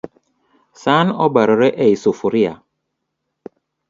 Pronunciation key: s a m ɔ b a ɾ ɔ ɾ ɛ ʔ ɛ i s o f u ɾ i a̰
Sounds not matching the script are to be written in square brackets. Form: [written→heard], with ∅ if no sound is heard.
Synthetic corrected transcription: s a [m→n] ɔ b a ɾ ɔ ɾ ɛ ʔ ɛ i s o f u ɾ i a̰